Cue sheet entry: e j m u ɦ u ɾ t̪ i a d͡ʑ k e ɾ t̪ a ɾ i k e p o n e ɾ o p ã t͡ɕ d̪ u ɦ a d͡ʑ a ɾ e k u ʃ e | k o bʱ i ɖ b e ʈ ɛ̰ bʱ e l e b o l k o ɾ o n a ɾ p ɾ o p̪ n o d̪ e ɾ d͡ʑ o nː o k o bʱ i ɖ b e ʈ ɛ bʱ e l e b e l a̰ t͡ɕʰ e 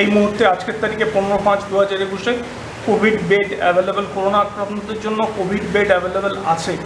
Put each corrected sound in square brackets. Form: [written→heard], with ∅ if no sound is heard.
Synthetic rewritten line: e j m u ɦ u ɾ t̪ [i→e] a d͡ʑ k e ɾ t̪ a ɾ i k e p o n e ɾ o p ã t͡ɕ d̪ u ɦ a d͡ʑ a ɾ e k u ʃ e | k o bʱ i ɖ b e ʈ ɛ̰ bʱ e l e b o l k o ɾ o n a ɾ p ɾ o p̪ n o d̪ e ɾ d͡ʑ o nː o k o bʱ i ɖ b e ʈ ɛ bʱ e l e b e l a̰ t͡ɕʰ e